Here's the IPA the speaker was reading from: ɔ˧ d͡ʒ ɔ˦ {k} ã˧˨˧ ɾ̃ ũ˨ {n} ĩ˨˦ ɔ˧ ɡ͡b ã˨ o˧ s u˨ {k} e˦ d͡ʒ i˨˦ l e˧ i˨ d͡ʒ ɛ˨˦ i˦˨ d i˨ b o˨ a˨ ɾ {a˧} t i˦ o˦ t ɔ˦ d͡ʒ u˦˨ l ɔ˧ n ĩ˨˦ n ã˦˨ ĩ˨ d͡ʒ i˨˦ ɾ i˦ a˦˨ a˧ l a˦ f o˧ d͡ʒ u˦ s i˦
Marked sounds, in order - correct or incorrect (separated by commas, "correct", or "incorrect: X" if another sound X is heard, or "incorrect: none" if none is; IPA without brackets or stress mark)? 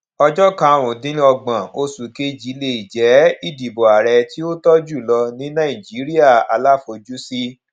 correct, incorrect: d, correct, incorrect: ɛ˧